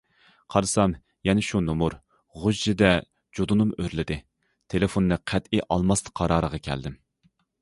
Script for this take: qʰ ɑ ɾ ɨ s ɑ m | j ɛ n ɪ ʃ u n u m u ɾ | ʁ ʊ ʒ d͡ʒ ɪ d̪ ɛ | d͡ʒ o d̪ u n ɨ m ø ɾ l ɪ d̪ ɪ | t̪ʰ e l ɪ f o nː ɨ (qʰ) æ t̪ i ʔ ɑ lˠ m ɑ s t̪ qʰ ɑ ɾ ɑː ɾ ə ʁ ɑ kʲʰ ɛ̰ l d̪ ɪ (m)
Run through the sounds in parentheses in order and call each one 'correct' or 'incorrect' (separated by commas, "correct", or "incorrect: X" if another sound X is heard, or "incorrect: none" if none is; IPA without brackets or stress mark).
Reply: correct, correct